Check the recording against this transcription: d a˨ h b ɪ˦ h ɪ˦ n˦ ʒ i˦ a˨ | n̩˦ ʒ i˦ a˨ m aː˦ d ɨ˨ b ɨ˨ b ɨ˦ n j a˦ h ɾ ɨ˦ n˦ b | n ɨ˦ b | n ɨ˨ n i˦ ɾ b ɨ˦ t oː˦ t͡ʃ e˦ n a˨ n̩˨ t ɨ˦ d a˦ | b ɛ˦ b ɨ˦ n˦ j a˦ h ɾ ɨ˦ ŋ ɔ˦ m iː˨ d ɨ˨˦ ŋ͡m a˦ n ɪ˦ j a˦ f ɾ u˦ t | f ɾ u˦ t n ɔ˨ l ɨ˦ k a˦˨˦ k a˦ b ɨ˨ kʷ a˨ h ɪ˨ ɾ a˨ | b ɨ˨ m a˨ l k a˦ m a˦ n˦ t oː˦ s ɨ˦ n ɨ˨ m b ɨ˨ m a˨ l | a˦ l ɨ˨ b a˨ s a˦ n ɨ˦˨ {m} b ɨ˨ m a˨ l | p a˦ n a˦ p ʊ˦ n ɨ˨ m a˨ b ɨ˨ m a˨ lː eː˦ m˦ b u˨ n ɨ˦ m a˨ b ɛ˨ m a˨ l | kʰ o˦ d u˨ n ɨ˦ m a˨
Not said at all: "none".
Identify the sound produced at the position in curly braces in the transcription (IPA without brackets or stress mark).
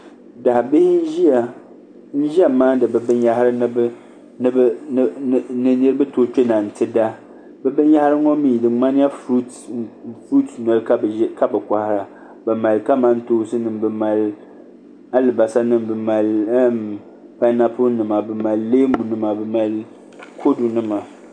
m